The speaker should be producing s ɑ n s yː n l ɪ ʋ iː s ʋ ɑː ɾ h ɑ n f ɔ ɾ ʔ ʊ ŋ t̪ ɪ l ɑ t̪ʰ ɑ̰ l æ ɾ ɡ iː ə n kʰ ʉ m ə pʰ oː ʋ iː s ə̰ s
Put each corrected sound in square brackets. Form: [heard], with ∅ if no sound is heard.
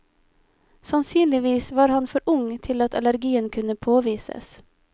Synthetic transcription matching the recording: s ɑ n s yː n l ɪ ʋ iː s ʋ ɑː ɾ h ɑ n f ɔ ɾ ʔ ʊ ŋ [t̪ʰ] ɪ l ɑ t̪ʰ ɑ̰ l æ ɾ ɡ iː ə n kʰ ʉ [n] ə pʰ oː ʋ iː s ə̰ s

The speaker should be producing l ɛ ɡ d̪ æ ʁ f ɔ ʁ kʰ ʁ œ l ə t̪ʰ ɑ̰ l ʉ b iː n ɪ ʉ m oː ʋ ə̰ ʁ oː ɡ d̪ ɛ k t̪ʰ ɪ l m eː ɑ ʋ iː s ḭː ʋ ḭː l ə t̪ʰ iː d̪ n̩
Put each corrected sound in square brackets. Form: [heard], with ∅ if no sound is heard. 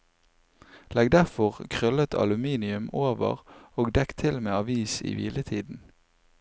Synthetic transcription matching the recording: l ɛ ɡ d̪ æ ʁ f ɔ ʁ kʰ ʁ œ l ə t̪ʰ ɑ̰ l ʉ [m] iː n ɪ ʉ m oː ʋ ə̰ ʁ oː ɡ d̪ ɛ k t̪ʰ ɪ l m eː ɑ ʋ iː s ḭː ʋ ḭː l ə t̪ʰ iː d̪ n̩

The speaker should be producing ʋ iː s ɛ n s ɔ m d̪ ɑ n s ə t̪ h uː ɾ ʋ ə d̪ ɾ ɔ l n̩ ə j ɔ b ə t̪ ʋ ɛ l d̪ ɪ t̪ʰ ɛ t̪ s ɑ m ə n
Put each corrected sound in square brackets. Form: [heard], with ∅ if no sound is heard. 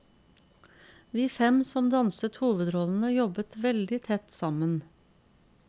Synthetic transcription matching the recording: ʋ iː [f] ɛ [m] s ɔ m d̪ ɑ n s ə t̪ h uː [∅] ʋ ə d̪ ɾ ɔ l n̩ ə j ɔ b ə t̪ ʋ ɛ l d̪ ɪ t̪ʰ ɛ t̪ s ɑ m ə n

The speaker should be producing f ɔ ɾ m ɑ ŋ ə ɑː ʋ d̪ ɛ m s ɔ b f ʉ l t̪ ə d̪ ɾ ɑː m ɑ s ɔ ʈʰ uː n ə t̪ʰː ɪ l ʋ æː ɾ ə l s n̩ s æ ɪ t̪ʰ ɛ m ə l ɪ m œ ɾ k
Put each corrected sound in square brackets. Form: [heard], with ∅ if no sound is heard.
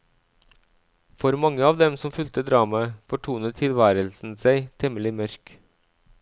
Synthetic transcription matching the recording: f ɔ ɾ m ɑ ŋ ə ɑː ʋ d̪ ɛ m s ɔ [m] f ʉ l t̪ ə d̪ ɾ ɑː m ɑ [f] ɔ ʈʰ uː n ə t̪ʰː ɪ l ʋ æː ɾ ə l s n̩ s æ ɪ t̪ʰ ɛ m ə l ɪ m œ ɾ k

